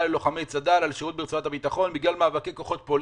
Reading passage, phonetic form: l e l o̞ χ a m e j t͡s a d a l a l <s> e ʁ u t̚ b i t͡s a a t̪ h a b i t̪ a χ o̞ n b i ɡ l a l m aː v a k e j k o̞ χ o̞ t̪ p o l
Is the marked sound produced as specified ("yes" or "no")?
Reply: no